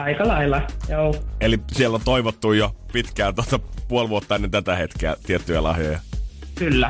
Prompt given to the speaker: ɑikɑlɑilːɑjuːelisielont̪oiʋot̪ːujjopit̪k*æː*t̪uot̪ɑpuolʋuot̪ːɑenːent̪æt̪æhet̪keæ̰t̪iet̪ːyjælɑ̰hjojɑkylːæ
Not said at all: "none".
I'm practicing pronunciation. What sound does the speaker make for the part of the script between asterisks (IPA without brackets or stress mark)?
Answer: æː